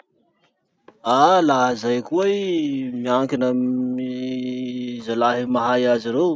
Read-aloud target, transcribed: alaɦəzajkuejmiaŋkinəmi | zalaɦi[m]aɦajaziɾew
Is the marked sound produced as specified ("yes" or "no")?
yes